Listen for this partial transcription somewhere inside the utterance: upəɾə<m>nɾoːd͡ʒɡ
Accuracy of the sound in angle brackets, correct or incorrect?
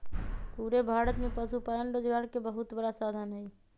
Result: incorrect: none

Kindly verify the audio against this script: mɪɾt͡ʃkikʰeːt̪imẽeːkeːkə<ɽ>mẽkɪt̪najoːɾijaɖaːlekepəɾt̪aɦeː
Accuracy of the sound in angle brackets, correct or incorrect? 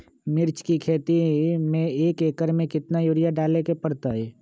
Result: incorrect: ɾ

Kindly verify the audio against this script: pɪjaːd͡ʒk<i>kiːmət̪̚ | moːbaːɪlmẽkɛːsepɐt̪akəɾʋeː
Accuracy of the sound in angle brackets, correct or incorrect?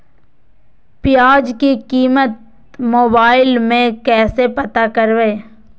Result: correct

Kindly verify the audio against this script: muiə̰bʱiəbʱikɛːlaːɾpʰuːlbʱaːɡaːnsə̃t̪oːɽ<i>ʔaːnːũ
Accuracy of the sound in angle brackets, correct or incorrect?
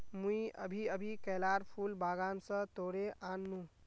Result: incorrect: e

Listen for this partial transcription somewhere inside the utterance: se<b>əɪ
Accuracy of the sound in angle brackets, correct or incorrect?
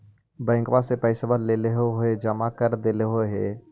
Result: incorrect: p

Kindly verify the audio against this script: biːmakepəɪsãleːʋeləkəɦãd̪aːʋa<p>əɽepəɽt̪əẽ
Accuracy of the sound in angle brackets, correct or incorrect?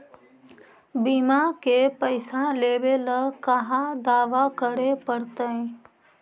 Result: incorrect: k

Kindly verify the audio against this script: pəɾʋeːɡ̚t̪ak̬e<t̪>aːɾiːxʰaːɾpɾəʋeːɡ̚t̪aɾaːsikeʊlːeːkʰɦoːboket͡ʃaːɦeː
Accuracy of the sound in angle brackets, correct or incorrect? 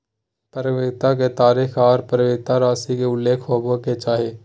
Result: correct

